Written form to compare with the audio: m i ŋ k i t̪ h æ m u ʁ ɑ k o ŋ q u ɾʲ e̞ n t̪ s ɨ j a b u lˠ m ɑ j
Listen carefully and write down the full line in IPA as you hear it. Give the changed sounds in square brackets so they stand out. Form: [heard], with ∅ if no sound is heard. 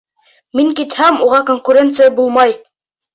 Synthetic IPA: m i ŋ k i t̪ h æ m u ʁ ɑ k o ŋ [k] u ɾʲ e̞ n t̪ s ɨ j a b u lˠ m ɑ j